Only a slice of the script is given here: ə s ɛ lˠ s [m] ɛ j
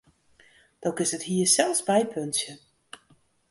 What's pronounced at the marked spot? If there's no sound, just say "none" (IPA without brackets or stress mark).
b